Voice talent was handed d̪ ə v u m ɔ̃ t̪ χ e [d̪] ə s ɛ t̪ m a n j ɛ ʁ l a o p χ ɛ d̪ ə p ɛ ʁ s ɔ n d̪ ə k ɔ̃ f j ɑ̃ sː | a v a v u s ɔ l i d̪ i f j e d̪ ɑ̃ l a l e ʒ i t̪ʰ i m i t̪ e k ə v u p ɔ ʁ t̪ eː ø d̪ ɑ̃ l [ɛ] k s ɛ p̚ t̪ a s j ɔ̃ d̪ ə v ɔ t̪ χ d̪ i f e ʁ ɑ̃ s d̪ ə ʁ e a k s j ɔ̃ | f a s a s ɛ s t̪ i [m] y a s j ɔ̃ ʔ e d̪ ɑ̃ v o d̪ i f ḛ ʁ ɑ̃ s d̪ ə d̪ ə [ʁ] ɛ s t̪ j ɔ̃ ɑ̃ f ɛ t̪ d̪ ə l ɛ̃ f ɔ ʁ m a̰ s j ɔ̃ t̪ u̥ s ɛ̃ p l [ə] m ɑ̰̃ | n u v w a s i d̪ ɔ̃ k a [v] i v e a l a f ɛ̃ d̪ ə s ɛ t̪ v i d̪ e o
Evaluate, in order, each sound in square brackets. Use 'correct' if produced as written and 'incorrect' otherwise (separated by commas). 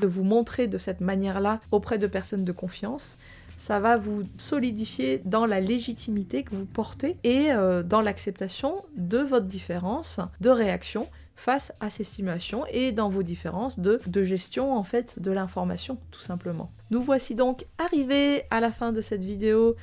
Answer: correct, incorrect, correct, incorrect, correct, incorrect